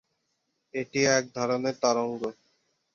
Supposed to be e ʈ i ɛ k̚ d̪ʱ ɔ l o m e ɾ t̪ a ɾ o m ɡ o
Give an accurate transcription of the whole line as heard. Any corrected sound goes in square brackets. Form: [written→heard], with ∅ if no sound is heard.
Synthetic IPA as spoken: e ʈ i ɛ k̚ d̪ʱ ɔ [l→ɾ] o [m→n] e ɾ t̪ a ɾ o [m→ŋ] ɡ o